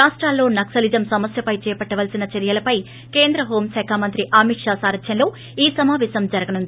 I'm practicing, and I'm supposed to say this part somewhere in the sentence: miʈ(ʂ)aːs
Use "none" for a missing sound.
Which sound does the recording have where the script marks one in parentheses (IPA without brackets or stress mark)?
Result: ʂ